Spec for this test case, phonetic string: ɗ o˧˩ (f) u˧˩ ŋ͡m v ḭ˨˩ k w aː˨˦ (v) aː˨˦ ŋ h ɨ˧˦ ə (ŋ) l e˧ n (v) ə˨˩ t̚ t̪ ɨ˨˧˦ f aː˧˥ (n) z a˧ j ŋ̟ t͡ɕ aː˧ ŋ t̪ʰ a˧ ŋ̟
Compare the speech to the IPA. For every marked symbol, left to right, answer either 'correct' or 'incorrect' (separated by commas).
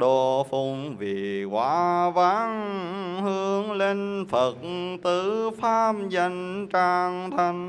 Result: correct, correct, correct, incorrect, incorrect